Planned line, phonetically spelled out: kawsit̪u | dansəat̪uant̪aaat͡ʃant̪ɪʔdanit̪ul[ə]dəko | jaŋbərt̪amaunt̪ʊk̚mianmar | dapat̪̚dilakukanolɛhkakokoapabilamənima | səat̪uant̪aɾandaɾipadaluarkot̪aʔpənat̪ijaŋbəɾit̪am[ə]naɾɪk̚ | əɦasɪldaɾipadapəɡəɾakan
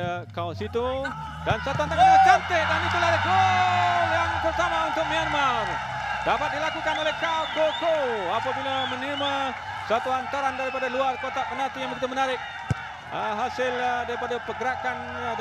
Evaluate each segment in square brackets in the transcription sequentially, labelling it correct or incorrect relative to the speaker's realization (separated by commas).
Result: incorrect, correct